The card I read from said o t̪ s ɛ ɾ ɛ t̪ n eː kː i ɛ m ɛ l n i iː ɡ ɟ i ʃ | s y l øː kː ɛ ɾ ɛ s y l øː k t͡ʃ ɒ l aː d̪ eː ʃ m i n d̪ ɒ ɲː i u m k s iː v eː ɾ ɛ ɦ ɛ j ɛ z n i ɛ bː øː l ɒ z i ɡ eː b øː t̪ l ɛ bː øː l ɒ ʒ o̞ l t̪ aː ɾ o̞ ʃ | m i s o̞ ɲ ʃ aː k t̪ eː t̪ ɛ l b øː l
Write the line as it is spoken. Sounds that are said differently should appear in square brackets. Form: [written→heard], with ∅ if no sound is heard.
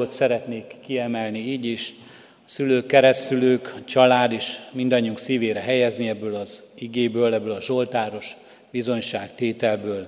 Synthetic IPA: o t̪ s ɛ ɾ ɛ t̪ n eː kː i ɛ m ɛ l n i iː [ɡ→∅] ɟ i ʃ | s y l øː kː ɛ ɾ ɛ s y l øː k t͡ʃ ɒ l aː d̪ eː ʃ m i n d̪ ɒ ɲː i u [m→ŋ] k s iː v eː ɾ ɛ ɦ ɛ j ɛ z n i ɛ bː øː l ɒ z i ɡ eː b øː [t̪→∅] l ɛ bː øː l ɒ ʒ o̞ l t̪ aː ɾ o̞ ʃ | [m→b] i [s→z] o̞ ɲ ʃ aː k t̪ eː t̪ ɛ l b øː l